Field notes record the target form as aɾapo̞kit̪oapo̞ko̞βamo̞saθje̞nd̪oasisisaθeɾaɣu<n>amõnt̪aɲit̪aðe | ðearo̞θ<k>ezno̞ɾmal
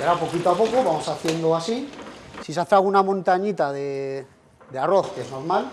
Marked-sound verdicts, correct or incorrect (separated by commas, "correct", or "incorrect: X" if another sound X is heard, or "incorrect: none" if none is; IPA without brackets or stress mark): correct, correct